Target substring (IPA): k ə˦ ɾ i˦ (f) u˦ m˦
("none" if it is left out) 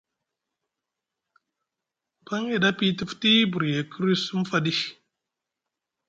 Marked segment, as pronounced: s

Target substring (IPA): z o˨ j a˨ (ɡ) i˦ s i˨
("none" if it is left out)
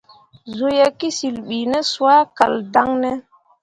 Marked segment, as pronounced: k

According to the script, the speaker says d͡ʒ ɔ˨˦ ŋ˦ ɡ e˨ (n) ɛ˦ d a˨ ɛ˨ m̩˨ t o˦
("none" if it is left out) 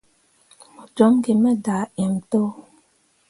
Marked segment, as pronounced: m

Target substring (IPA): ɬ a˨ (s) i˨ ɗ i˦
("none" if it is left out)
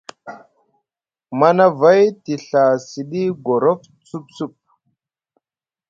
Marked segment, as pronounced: s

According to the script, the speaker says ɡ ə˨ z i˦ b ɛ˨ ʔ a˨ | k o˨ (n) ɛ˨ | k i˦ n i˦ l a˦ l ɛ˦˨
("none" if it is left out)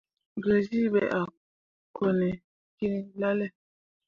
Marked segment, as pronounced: n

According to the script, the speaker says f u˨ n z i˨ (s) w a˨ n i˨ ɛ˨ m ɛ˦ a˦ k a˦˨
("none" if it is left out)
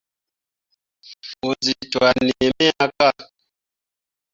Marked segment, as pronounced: t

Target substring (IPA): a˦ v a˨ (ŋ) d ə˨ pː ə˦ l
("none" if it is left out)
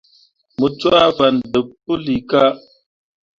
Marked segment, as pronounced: n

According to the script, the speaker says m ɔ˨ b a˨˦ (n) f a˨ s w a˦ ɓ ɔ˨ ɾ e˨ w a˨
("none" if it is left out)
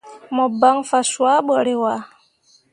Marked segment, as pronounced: ŋ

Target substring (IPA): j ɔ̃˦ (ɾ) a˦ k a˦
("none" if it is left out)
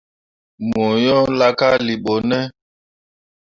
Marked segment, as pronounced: l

